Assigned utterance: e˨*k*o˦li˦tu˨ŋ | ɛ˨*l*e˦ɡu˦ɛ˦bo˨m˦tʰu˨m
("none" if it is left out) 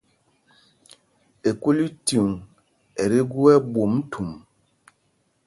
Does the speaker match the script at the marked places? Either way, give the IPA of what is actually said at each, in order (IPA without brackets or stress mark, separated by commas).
k, ɾ